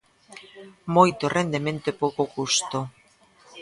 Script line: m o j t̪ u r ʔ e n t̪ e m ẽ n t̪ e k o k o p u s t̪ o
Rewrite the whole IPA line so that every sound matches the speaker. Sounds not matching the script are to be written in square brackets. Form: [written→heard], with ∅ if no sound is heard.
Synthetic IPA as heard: m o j t̪ [u→o] r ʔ e n [t̪→d̪] e m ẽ n t̪ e [k→p] o k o [p→k] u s t̪ o